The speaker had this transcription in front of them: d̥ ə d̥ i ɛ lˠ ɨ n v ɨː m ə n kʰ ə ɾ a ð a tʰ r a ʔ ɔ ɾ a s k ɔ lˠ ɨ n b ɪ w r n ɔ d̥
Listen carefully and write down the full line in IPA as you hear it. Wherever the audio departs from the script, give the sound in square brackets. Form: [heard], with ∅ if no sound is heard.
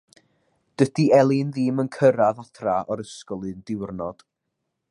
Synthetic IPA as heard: d̥ ə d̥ i ɛ lˠ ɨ n [ð] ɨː m ə n kʰ ə ɾ a ð a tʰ r a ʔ ɔ ɾ [ə] s k ɔ lˠ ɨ n [d] ɪ w r n ɔ d̥